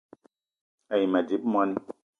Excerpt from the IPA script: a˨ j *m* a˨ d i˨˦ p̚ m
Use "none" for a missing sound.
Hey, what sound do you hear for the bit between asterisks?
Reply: m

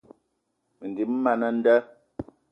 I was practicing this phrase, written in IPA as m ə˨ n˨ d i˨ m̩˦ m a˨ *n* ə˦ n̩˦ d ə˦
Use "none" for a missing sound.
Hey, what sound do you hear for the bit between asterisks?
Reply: n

